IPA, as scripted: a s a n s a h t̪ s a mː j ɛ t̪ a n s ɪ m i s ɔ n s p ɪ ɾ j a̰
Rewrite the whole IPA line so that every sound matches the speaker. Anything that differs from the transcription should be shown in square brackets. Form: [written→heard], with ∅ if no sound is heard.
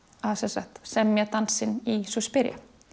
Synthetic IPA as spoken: a s [a→ɛ] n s a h t̪ s [a→ɛ] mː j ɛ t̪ a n s ɪ [m→n] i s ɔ [n→∅] s p ɪ ɾ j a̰